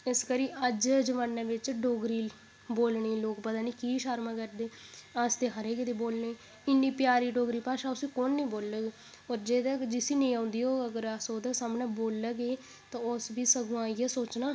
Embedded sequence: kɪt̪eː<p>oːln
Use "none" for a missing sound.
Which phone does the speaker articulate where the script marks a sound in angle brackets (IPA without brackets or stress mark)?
b